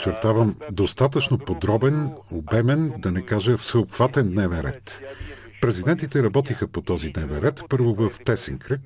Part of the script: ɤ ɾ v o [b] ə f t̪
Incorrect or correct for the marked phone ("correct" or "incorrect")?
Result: incorrect